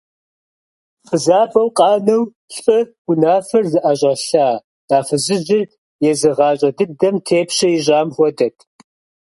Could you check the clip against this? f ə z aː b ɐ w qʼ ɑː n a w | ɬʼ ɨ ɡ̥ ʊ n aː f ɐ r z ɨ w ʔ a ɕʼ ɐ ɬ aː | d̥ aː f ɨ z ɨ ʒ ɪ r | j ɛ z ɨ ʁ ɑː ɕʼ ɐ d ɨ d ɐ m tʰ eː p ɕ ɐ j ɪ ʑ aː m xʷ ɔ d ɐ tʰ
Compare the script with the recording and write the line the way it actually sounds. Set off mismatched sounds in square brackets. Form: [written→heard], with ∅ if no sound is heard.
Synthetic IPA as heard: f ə z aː b ɐ w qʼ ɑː n [a→ɐ] w | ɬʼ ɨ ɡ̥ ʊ n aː f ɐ r z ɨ [w→∅] ʔ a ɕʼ ɐ ɬ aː | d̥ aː f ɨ z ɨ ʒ ɪ r | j ɛ z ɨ ʁ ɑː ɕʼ ɐ d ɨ d ɐ m tʰ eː p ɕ ɐ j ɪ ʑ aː m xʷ ɔ d ɐ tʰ